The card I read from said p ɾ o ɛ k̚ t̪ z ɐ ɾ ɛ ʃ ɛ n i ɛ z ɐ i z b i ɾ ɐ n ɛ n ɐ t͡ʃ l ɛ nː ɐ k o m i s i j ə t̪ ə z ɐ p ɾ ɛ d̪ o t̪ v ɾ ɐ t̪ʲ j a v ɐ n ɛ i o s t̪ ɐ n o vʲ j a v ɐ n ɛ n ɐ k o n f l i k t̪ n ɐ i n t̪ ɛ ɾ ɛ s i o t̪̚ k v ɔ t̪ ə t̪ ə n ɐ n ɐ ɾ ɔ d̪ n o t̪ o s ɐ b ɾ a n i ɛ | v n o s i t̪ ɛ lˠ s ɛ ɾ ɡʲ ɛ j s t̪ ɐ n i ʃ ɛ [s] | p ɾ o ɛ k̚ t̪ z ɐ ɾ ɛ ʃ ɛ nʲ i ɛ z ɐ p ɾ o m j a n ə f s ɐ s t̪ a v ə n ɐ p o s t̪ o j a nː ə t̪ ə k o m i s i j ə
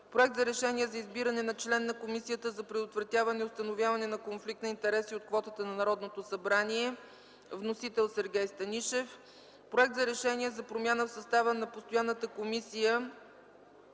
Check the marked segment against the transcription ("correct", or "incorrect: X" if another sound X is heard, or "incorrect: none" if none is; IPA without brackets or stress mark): incorrect: f